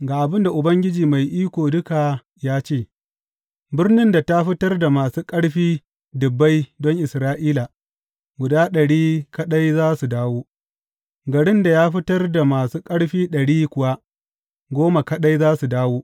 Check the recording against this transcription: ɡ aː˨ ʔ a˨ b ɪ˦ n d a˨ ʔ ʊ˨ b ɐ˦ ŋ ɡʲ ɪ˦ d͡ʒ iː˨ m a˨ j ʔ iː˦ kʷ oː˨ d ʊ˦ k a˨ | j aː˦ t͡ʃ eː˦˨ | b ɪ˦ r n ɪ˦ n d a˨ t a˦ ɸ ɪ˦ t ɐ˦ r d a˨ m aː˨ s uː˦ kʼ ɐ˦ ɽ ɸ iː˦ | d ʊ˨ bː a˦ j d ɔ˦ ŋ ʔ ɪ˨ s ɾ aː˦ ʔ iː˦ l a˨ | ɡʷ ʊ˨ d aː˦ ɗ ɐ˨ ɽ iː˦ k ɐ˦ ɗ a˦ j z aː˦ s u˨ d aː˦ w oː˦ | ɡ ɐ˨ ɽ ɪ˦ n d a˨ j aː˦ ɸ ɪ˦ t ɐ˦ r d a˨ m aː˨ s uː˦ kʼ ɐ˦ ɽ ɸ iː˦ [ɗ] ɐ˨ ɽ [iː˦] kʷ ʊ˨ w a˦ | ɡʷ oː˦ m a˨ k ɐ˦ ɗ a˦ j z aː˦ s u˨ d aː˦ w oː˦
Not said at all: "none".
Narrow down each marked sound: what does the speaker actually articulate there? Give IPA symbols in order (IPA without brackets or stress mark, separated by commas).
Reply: ɗ, iː˦